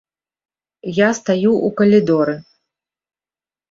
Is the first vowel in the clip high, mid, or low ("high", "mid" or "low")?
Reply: low